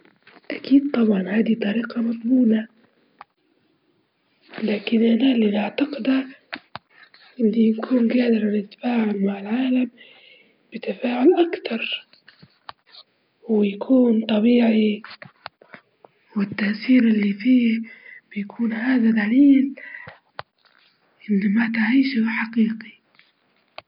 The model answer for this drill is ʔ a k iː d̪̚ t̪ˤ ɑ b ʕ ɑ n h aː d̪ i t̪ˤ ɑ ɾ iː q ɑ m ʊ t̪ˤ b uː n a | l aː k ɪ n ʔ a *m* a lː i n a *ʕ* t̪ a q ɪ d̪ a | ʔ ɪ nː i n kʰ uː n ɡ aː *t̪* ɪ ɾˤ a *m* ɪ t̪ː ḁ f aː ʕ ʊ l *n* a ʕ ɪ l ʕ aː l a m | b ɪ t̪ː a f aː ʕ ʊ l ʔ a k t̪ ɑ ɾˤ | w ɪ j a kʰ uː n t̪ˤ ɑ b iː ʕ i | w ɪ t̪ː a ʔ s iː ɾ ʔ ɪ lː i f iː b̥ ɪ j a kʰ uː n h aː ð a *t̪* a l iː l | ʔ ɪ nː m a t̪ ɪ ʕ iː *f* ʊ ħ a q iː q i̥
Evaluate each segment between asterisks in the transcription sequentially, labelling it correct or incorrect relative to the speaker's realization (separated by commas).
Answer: incorrect, correct, incorrect, incorrect, incorrect, incorrect, incorrect